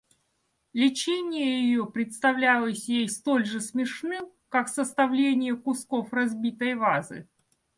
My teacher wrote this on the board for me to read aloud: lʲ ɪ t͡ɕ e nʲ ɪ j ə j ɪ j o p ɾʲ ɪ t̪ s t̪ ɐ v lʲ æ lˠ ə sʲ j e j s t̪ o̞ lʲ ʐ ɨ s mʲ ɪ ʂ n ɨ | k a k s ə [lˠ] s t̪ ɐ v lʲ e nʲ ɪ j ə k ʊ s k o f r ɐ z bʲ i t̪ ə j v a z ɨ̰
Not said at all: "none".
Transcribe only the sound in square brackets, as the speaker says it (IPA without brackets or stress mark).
none